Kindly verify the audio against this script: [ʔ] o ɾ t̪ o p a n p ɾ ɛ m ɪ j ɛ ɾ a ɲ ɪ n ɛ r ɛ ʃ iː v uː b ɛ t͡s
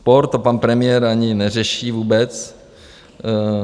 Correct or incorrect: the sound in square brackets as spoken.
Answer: incorrect: p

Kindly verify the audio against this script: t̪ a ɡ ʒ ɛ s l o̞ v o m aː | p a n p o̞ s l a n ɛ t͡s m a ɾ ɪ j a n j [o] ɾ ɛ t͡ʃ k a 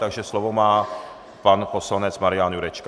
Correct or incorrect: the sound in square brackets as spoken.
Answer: incorrect: u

